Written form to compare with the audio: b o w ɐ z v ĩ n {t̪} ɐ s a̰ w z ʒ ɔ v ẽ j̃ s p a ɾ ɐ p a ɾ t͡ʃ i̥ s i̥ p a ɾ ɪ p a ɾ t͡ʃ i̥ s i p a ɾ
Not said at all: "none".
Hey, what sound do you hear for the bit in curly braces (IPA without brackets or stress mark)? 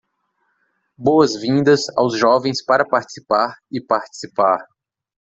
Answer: d̪